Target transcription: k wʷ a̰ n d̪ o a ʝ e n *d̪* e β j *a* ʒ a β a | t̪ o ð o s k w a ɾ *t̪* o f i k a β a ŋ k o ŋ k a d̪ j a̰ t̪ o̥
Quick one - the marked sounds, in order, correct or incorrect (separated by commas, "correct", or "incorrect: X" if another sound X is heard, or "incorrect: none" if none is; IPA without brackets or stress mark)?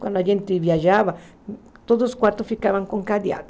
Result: incorrect: t̪, correct, correct